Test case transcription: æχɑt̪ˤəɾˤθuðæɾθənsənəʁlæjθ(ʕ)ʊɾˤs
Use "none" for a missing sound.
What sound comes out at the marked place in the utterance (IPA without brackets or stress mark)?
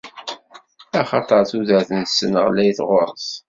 ʁ